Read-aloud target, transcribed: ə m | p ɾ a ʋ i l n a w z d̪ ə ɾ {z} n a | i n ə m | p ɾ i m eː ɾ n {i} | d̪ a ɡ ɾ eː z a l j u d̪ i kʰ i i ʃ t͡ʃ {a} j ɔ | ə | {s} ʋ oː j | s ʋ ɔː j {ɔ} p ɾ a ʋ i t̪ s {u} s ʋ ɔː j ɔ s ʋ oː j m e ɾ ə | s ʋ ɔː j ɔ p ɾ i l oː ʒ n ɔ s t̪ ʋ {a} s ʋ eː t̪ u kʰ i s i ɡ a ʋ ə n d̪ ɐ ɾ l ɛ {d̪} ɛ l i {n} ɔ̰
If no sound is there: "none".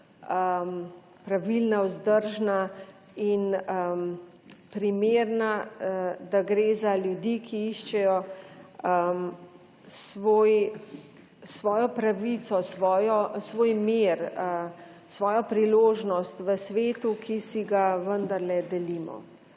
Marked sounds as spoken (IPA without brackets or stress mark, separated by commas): ʒ, a, ɛ, s, ɔ, ɔ, ə, d̪, m